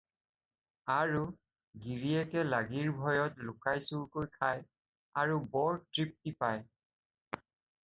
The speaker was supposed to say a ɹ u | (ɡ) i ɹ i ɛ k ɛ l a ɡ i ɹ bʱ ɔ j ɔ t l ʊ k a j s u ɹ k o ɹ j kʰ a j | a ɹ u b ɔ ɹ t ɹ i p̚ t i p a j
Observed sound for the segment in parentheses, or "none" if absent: ɡ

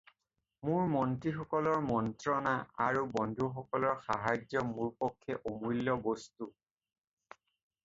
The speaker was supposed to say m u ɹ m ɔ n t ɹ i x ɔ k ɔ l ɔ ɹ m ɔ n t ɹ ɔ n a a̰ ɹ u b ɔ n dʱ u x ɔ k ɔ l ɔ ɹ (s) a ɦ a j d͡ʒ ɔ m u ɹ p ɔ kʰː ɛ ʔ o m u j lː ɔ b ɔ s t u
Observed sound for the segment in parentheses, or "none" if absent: x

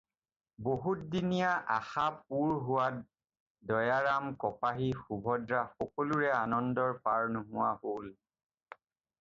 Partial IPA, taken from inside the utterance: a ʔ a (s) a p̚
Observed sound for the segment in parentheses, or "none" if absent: x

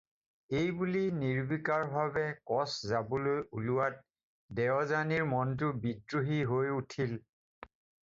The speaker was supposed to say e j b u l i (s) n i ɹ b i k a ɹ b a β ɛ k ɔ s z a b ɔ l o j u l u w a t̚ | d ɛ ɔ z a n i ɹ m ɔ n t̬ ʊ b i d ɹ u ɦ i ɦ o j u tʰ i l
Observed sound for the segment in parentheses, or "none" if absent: none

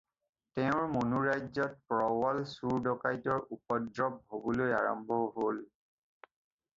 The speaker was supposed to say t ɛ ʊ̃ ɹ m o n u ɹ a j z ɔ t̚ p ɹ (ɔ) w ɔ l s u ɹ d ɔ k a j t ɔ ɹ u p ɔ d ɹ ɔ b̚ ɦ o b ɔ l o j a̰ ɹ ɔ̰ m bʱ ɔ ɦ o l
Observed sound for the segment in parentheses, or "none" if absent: ɔ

